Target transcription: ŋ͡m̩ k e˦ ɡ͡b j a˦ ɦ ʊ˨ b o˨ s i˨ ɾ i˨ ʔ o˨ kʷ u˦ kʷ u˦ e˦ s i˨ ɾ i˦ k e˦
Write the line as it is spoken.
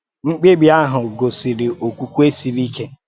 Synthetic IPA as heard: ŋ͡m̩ k͡p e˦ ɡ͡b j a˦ ɦ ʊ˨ ɡ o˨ s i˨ ɾ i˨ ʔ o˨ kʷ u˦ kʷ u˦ e˦ s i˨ ɾ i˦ k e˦